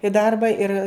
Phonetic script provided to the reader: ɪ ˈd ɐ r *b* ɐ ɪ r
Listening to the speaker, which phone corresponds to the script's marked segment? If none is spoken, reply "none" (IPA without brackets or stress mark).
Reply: b